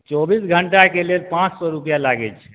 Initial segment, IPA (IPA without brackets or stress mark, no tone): t͡ʃ